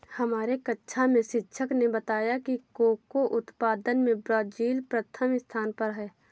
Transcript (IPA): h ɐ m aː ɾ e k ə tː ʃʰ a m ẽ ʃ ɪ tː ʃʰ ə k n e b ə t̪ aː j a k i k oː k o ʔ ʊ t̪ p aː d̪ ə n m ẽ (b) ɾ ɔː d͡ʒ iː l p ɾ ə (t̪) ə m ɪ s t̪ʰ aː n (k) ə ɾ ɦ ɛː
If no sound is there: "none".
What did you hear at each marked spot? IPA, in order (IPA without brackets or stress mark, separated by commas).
b, t̪ʰ, p